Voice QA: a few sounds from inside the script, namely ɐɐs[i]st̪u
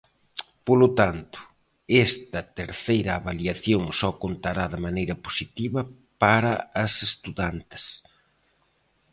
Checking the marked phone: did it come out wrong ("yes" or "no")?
yes